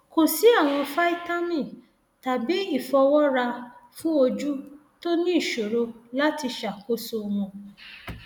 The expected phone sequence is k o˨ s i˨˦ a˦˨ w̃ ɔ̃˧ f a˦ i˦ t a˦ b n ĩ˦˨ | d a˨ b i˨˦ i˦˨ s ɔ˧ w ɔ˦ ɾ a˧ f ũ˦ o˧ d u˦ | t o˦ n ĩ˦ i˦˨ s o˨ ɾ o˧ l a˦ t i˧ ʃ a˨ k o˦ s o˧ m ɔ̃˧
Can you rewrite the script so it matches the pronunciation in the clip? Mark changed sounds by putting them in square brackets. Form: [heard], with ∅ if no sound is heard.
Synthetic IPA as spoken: k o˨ s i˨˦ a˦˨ w̃ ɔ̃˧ f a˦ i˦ t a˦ [∅] n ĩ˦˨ | [t] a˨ b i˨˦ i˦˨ [f] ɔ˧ w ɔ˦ ɾ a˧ f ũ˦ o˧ [d͡ʒ] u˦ | t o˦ n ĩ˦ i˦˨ [ʃ] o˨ ɾ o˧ l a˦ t i˧ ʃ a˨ k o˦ s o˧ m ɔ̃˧